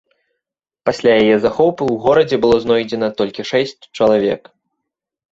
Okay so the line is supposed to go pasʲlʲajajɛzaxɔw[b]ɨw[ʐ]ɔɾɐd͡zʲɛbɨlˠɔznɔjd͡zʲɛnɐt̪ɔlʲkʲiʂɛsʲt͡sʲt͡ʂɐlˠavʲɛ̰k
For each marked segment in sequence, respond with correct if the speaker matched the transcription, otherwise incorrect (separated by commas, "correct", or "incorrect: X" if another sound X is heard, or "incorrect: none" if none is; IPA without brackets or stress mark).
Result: incorrect: p, incorrect: ɣ